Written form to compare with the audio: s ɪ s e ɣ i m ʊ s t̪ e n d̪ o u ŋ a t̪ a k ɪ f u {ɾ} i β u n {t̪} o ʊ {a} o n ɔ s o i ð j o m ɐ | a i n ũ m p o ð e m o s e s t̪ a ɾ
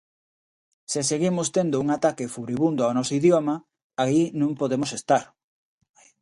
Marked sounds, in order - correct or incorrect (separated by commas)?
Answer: correct, incorrect, correct